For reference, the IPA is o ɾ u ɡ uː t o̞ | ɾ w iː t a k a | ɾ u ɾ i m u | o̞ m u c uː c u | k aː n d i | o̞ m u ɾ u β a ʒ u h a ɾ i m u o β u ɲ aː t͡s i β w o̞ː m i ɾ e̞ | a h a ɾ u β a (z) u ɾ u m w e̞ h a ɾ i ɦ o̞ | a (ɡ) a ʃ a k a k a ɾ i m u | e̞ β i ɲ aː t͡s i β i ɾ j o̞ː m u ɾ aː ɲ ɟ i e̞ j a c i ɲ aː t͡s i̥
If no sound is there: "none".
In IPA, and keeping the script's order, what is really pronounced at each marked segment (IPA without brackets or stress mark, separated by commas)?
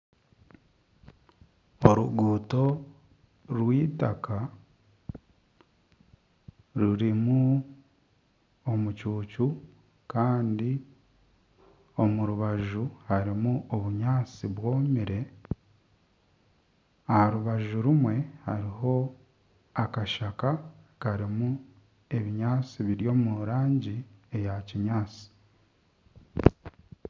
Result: ʒ, k